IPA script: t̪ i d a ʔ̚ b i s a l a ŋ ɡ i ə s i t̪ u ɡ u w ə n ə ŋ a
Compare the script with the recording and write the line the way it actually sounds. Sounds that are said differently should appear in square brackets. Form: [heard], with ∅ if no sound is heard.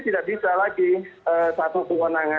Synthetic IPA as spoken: t̪ i d a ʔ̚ b i s a l a [∅] ɡ i ə s [a] t̪ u [k] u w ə n [a] ŋ a